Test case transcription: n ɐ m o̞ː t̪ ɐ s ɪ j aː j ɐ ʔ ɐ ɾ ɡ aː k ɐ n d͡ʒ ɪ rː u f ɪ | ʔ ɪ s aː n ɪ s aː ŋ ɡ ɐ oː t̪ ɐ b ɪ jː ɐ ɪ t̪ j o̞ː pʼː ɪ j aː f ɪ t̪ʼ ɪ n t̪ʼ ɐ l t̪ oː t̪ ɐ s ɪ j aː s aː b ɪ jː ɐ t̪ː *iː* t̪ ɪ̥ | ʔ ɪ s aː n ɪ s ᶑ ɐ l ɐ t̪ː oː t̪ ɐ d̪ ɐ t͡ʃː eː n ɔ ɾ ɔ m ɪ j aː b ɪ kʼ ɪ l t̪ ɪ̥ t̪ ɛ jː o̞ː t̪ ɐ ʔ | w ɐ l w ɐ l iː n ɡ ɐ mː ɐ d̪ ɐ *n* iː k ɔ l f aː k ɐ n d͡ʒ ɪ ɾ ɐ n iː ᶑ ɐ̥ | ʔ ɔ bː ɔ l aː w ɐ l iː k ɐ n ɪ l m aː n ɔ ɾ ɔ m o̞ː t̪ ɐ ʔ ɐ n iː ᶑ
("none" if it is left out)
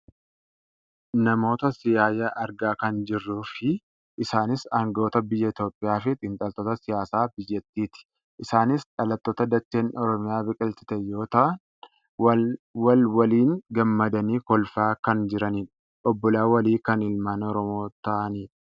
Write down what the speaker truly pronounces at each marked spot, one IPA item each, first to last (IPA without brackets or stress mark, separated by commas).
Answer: iː, n